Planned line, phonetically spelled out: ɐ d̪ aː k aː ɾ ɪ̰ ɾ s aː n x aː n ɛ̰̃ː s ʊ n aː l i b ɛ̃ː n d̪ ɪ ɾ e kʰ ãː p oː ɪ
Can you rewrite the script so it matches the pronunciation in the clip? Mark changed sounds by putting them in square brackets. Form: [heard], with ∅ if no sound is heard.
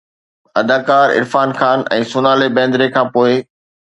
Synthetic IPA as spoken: ɐ d̪ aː k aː ɾ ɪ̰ ɾ [f] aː n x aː n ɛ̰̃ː s ʊ n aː l [e] b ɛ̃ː n d̪ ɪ ɾ e kʰ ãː p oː ɪ